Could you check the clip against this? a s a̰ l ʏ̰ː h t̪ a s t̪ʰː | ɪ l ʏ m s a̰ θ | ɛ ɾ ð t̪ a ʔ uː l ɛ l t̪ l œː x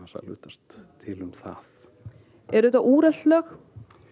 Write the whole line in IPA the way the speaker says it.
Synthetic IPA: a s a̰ l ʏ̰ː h t̪ a s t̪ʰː | ɪ l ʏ m θ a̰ θ | ɛ ɾ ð t̪ a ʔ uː ɾ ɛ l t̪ l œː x